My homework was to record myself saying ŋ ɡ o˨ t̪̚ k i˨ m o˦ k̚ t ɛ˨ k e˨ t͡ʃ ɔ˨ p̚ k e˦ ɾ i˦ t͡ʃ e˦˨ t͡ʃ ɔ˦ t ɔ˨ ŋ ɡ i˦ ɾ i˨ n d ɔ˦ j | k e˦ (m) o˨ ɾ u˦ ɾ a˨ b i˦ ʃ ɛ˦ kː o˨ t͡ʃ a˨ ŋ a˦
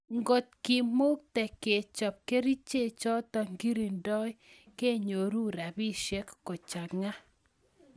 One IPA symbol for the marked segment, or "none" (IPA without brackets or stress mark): ɲ